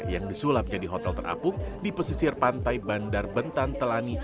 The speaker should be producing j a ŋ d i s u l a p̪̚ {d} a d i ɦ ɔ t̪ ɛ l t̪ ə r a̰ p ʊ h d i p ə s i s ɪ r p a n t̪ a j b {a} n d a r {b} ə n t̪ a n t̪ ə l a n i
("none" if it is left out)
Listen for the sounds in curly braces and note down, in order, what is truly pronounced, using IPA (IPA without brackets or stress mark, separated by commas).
d͡ʒ, a, b